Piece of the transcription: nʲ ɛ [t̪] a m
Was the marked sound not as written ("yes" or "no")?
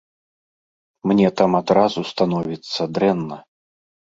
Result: no